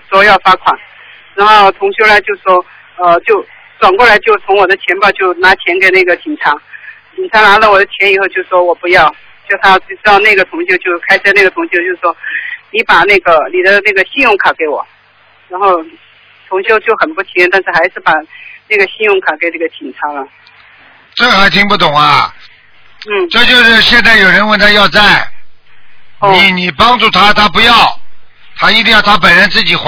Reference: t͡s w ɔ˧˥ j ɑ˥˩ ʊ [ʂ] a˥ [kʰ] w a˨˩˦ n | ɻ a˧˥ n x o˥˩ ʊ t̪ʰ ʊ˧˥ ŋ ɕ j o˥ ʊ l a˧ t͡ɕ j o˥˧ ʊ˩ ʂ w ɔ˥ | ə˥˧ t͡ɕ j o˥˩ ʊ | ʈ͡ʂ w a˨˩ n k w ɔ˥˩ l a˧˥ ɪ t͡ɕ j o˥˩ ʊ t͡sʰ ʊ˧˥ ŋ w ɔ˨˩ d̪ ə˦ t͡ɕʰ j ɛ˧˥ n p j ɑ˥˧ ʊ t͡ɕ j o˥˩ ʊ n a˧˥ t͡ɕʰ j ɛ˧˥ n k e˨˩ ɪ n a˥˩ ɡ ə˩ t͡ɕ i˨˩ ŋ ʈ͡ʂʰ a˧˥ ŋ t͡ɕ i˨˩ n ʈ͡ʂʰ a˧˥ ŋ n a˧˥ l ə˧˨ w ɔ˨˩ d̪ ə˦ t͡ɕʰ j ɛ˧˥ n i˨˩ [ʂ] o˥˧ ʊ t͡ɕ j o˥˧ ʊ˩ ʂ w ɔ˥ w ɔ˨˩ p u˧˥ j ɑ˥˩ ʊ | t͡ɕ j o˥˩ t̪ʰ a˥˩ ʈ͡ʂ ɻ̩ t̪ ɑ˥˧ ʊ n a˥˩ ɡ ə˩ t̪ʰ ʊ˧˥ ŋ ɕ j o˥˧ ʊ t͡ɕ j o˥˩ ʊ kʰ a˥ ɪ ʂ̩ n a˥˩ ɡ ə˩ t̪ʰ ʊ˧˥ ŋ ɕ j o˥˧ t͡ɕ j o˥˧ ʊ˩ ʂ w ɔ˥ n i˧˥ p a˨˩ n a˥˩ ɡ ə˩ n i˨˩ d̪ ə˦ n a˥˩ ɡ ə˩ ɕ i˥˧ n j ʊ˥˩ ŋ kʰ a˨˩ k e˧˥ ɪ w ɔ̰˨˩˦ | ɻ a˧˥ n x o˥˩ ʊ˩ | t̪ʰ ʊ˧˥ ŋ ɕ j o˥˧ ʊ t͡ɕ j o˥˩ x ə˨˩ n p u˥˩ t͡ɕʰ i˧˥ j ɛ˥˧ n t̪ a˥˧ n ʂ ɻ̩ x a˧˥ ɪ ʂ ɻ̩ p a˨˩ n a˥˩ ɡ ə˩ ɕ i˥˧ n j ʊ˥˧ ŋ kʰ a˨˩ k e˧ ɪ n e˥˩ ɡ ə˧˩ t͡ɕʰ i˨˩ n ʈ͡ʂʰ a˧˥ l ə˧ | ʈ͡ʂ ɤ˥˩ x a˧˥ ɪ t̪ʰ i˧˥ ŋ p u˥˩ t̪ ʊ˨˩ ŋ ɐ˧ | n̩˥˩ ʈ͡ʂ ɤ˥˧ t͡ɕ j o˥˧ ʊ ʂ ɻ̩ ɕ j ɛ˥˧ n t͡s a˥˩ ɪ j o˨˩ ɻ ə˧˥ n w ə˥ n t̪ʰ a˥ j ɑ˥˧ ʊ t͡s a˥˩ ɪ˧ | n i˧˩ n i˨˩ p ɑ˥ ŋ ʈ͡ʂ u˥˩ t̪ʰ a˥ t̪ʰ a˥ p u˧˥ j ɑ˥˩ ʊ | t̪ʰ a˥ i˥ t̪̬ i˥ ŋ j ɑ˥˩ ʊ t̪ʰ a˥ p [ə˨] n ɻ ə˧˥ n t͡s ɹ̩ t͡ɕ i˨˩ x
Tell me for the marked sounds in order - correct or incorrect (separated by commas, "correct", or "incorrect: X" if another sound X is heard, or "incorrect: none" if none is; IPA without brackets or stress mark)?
incorrect: f, correct, incorrect: x, correct